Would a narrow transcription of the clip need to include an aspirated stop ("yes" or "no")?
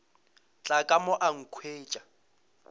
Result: yes